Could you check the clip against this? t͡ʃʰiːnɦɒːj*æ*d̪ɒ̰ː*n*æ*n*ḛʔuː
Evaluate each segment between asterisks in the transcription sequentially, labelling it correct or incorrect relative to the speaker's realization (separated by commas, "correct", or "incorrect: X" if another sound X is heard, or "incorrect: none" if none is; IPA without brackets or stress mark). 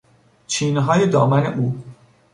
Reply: incorrect: e, incorrect: m, correct